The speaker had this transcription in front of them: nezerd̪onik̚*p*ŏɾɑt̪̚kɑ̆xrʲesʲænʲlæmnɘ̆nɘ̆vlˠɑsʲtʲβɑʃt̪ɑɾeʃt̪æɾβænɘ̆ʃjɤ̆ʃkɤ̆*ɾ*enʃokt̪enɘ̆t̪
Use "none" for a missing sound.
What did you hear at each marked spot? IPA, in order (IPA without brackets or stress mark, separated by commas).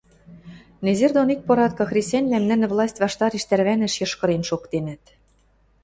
p, ɾ